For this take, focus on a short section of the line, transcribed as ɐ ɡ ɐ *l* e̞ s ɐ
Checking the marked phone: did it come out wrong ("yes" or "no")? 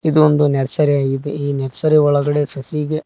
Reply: yes